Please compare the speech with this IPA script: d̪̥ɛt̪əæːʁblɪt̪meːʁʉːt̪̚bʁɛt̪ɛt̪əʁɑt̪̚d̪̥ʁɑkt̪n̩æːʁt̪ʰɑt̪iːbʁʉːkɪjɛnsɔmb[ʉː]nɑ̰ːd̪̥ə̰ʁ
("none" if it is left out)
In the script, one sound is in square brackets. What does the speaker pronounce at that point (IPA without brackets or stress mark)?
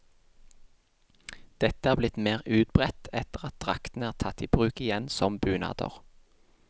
ʉː